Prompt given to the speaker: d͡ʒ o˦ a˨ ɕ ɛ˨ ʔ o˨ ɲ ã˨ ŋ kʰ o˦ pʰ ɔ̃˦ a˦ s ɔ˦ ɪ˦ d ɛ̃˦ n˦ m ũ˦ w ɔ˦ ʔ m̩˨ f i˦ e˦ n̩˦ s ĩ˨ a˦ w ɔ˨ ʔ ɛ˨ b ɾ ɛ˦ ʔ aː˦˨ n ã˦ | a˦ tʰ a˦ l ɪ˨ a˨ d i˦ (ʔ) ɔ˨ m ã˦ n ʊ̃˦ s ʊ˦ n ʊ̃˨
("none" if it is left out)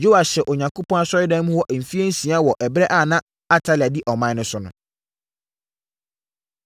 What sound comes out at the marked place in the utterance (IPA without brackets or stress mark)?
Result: ʔ